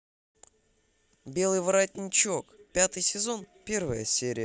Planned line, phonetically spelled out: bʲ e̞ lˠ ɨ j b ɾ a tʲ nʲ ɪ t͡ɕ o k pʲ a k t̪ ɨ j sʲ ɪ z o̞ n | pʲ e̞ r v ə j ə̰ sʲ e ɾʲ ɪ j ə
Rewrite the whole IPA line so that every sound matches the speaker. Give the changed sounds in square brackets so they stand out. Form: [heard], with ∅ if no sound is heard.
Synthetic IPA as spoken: bʲ e̞ lˠ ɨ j [v] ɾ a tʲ nʲ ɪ t͡ɕ o k pʲ a [∅] t̪ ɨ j sʲ ɪ z o̞ n | pʲ e̞ r v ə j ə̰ sʲ e ɾʲ ɪ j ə